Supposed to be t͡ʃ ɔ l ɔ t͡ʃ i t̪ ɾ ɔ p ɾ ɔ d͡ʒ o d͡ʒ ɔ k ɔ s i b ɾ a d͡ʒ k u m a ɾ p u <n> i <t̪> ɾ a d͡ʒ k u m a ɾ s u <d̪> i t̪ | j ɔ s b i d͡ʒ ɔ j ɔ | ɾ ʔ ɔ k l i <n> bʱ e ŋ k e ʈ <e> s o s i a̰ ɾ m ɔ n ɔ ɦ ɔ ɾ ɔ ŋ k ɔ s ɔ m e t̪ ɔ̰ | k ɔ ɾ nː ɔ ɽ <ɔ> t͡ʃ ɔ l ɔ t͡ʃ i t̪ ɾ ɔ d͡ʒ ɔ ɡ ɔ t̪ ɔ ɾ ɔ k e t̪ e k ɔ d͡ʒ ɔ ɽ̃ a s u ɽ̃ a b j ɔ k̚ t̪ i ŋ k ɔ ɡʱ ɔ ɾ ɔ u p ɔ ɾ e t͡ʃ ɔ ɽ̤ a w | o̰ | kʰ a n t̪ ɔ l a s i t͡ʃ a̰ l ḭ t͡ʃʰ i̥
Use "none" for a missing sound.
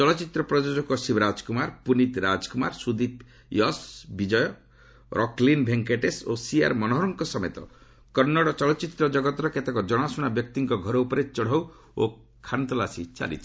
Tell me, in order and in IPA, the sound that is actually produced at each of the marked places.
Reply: n, t̪, d̪, n, e, ɔ

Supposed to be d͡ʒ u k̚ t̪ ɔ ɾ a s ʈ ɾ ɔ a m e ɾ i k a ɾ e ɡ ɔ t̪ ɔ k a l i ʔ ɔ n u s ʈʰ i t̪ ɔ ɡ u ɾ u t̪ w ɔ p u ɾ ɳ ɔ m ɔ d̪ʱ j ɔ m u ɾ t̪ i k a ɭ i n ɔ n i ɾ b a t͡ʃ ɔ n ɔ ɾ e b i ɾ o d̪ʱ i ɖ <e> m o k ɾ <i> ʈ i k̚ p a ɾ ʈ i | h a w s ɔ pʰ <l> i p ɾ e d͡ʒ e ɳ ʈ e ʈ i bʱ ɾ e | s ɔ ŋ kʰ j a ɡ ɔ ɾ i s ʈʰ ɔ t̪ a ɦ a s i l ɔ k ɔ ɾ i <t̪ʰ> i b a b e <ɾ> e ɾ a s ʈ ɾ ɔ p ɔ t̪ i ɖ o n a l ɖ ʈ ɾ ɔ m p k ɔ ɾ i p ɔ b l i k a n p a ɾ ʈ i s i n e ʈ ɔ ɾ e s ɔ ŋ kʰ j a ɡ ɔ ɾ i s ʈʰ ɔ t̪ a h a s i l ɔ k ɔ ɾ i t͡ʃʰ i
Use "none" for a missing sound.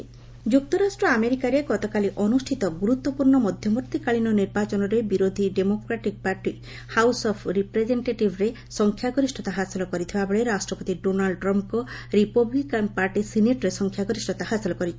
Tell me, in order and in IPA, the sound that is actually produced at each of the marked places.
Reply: e, a, ɾ, t̪ʰ, ɭ

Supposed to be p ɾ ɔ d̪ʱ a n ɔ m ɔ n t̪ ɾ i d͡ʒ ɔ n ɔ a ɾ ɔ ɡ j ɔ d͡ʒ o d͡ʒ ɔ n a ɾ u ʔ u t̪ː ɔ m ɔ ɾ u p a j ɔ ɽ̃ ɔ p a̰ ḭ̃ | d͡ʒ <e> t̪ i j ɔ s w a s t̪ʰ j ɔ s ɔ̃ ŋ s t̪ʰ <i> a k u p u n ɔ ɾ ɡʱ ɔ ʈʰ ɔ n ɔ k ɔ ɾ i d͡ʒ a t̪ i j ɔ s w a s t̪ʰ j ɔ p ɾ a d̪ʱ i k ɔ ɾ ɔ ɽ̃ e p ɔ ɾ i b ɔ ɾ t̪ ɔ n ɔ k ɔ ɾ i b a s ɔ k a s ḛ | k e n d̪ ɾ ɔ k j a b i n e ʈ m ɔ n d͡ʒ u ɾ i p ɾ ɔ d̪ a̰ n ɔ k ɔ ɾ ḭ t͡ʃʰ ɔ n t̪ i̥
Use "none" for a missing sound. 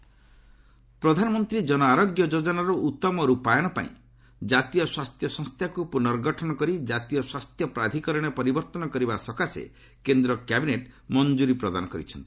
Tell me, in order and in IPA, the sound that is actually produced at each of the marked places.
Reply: a, j

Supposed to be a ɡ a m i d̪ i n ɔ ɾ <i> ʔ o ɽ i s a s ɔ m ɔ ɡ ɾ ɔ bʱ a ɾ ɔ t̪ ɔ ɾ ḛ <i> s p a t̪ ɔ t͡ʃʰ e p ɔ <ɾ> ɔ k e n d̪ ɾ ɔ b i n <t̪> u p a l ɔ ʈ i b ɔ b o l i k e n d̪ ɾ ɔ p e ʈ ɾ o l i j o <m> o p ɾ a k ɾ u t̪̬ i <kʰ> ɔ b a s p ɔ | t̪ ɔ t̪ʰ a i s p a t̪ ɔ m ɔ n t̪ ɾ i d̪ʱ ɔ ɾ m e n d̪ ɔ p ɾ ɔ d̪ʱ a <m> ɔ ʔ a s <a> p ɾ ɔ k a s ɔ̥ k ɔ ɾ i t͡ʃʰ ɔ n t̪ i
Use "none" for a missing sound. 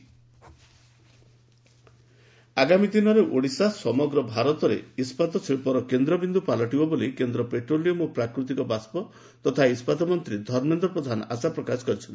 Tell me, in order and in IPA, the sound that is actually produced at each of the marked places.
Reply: e, i, ɾ, d̪, m, k, n, a

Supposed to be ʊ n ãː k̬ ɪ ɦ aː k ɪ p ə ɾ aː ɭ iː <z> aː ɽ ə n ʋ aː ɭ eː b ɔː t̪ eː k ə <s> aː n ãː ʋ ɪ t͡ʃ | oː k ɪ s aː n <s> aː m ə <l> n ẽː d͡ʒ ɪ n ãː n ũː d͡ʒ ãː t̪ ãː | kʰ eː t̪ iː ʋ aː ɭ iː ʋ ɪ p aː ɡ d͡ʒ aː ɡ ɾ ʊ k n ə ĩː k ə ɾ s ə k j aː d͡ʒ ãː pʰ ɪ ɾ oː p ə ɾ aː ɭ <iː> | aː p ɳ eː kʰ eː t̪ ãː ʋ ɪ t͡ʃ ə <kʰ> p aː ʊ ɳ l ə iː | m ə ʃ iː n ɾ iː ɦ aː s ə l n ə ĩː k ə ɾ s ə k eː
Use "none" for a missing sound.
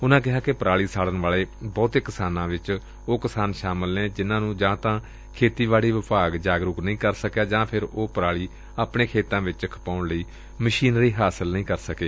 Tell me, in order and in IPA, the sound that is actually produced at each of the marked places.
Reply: s, s, ʃ, l, iː, kʰ

